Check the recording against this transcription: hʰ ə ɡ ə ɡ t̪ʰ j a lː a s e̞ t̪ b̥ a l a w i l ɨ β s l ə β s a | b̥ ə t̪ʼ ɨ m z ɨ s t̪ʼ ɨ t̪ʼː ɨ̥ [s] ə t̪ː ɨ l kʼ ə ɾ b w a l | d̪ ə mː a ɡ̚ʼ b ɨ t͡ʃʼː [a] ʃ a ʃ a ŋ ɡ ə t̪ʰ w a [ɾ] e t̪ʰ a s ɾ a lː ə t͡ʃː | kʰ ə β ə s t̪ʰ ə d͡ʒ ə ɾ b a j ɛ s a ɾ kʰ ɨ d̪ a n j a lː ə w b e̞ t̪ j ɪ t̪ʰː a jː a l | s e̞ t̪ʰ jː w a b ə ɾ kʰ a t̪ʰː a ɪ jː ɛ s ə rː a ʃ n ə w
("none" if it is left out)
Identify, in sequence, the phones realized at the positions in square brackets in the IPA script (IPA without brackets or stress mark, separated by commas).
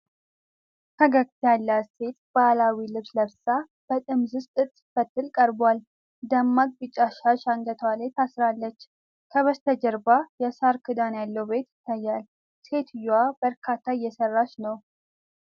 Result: f, a, l